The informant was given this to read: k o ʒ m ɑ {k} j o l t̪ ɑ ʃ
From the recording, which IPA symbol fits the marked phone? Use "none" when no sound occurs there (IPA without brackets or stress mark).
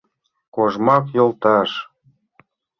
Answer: k